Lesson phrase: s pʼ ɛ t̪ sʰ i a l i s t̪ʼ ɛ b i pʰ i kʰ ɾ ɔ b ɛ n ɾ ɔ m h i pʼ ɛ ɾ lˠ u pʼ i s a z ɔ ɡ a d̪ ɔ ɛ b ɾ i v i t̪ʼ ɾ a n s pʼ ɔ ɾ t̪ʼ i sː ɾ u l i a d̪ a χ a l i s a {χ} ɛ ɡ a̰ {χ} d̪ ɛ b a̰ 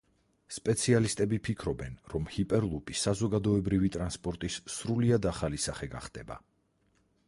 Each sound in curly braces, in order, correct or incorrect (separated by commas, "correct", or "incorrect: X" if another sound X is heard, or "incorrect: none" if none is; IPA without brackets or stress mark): correct, correct